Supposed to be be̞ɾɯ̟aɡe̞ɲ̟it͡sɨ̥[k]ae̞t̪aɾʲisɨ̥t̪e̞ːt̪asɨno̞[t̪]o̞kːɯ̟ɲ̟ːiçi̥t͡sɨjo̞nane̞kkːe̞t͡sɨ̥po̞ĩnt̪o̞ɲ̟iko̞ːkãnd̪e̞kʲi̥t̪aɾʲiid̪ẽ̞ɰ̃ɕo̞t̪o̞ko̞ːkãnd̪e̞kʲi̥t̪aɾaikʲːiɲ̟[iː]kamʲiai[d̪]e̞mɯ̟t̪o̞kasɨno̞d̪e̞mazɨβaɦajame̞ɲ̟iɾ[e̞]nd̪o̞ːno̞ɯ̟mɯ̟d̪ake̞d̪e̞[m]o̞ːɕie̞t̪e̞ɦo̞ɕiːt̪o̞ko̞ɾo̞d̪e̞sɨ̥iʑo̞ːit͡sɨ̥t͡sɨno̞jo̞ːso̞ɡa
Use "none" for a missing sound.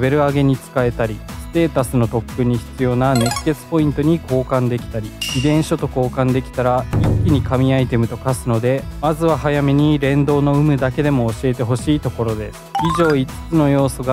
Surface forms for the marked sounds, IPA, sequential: k, t̪, i, t̪, ẽ̞, m

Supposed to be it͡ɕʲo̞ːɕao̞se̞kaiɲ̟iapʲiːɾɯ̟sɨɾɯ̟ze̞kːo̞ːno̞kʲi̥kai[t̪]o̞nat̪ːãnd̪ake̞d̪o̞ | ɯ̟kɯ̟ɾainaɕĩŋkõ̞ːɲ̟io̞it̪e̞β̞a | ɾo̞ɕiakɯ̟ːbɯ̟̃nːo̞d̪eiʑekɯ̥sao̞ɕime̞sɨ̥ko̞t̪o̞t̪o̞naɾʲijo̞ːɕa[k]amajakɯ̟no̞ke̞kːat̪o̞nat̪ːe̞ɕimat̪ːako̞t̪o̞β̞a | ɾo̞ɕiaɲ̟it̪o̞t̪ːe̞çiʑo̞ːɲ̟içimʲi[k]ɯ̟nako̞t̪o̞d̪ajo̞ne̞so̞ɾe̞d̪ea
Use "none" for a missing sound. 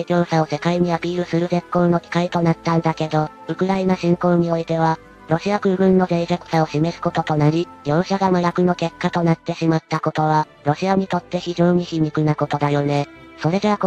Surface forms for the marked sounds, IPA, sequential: t̪, ɡ, k

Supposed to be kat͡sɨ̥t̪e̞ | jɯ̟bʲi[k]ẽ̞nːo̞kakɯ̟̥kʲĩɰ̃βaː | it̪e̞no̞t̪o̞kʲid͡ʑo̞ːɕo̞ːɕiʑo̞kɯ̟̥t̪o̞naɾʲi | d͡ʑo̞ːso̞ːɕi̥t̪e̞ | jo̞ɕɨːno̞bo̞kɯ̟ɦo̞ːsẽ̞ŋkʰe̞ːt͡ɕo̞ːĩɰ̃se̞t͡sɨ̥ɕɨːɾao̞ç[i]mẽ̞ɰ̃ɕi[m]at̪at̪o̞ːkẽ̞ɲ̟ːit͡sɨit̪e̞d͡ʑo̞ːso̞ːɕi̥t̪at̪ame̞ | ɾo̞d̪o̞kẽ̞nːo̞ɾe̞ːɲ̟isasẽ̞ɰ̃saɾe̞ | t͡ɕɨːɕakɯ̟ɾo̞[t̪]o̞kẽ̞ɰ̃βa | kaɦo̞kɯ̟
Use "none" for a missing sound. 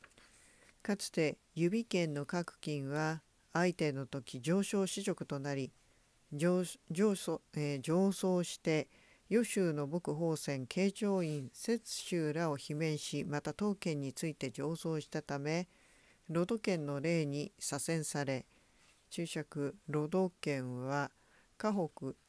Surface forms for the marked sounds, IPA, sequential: k, i, m, d̪

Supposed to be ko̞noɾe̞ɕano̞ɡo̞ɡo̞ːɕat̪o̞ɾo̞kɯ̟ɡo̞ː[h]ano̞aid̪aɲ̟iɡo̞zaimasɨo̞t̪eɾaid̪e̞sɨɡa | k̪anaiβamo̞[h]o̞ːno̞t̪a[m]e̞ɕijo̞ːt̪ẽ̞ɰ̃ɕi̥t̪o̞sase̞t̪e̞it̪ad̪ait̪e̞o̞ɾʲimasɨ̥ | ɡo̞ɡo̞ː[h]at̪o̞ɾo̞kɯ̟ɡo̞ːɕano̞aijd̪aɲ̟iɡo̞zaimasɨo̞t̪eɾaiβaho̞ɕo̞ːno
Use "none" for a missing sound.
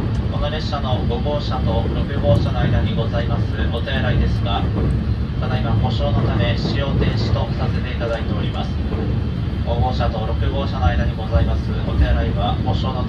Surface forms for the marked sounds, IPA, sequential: ɕ, ɕ, m, ɕ

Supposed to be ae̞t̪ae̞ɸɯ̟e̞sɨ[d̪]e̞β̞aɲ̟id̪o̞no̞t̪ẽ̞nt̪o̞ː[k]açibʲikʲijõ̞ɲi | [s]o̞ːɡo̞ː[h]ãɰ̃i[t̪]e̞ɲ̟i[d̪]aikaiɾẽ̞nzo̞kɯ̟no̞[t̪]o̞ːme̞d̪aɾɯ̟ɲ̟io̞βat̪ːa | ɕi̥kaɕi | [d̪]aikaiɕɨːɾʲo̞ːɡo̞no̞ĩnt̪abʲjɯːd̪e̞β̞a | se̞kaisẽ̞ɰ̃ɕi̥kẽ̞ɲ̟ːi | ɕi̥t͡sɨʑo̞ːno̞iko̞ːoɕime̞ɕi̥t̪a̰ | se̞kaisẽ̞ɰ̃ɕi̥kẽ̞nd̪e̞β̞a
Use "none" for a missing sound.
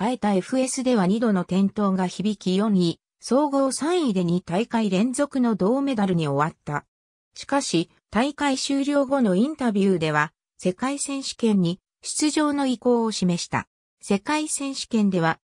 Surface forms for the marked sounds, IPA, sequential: d̪, ɡ, s, s, d̪, t̪, d̪, t̪

